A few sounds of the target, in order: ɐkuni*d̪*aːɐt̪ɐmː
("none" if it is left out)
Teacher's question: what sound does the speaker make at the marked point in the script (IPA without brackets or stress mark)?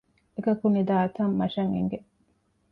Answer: d̪